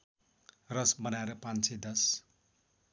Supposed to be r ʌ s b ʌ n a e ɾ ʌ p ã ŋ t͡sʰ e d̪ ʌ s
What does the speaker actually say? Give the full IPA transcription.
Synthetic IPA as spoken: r ʌ s b ʌ n a e ɾ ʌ p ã n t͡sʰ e d̪ ʌ s